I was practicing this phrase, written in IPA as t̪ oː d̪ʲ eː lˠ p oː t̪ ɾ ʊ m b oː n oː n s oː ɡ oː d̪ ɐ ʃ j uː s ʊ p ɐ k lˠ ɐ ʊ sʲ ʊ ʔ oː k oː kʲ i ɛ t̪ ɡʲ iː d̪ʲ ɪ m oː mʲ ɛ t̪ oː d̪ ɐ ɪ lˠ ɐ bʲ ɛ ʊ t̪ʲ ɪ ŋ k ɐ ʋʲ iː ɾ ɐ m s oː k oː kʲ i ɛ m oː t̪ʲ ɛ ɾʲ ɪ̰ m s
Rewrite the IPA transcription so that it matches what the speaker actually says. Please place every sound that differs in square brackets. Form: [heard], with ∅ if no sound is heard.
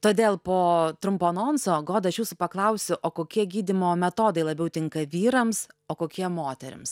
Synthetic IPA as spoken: t̪ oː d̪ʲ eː lˠ p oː t̪ ɾ ʊ m [p] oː n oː n s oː ɡ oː d̪ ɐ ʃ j uː s ʊ p ɐ k lˠ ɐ ʊ sʲ ʊ ʔ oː k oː kʲ i ɛ [∅] ɡʲ iː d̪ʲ ɪ m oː mʲ ɛ t̪ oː d̪ ɐ ɪ lˠ ɐ bʲ ɛ ʊ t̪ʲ ɪ ŋ k ɐ ʋʲ iː ɾ ɐ m s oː k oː kʲ i ɛ m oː t̪ʲ ɛ ɾʲ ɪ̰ m s